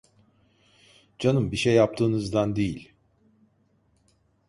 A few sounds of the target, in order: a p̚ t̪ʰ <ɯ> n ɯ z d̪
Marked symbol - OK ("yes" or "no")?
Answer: no